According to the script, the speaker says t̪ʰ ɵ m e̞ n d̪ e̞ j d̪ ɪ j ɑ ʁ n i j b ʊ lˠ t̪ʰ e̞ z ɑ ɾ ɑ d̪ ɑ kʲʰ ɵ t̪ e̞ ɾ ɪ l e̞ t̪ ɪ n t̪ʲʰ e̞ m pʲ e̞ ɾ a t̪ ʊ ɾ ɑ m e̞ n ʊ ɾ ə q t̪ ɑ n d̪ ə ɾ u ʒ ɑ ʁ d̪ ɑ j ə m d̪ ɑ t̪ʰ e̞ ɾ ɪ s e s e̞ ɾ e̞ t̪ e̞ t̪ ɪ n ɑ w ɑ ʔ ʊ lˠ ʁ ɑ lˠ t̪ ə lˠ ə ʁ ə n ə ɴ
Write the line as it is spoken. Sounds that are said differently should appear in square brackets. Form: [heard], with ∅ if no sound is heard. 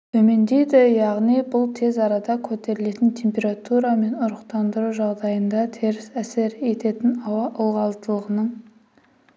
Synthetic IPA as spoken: t̪ʰ ɵ m e̞ n d̪ e̞ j d̪ ɪ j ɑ ʁ n i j b ʊ lˠ t̪ʰ e̞ z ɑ ɾ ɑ d̪ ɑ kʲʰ ɵ t̪ e̞ ɾ ɪ l e̞ t̪ ɪ n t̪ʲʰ e̞ m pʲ e̞ ɾ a t̪ [u] ɾ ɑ m e̞ n ʊ ɾ ə q t̪ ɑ n d̪ ə ɾ u ʒ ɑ ʁ d̪ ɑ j ə [n] d̪ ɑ t̪ʰ e̞ ɾ ɪ s [æ] s e̞ ɾ e̞ t̪ e̞ t̪ ɪ n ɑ w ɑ ʔ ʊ lˠ ʁ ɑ lˠ t̪ ə lˠ ə ʁ ə n ə ɴ